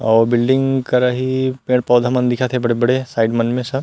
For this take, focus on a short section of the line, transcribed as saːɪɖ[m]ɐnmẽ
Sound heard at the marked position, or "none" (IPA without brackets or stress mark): m